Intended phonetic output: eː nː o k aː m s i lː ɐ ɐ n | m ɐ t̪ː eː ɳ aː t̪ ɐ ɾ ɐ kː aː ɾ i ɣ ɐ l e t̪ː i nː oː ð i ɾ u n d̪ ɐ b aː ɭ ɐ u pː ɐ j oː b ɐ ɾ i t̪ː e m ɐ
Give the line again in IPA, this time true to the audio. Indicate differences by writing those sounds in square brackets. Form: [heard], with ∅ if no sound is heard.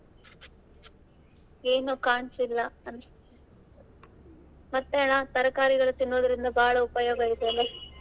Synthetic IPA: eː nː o k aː [ɳ] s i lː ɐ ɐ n | m ɐ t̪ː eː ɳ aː t̪ ɐ ɾ ɐ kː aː ɾ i ɣ ɐ [ɭ] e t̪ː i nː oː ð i ɾ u n d̪ ɐ b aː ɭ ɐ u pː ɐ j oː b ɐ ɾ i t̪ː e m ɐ